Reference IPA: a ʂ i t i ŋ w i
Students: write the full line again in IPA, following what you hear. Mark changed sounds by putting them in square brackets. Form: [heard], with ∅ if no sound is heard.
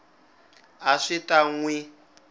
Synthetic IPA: a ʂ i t [a] ŋ w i

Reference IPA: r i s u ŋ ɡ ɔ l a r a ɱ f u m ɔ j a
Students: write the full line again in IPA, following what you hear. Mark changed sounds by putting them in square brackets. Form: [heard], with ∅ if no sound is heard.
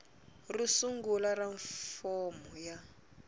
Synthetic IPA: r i s u ŋ ɡ [u] l a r a ɱ f [ɔ] m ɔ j a

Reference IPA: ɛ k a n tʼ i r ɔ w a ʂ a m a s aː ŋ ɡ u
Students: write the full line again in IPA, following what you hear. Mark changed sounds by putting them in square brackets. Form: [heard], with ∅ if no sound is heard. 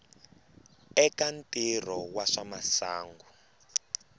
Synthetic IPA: ɛ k a n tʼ i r ɔ w a ʂ a m a s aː ŋ ɡ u

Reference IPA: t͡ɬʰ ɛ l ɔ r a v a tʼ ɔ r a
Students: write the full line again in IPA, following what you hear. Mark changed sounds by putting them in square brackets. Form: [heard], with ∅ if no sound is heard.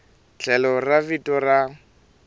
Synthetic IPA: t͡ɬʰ ɛ l ɔ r a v [i] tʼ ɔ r a

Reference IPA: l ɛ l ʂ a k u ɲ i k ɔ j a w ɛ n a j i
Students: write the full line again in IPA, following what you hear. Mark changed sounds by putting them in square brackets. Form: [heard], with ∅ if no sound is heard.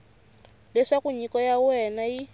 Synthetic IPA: l ɛ [∅] ʂ a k u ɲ i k ɔ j a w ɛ n a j i

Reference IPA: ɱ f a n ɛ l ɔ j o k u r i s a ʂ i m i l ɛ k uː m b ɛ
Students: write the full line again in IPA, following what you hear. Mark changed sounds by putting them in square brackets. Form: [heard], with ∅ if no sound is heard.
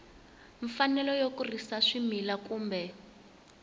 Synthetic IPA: ɱ f a n ɛ l ɔ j o k u r i s a ʂ i m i l [a] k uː m b ɛ

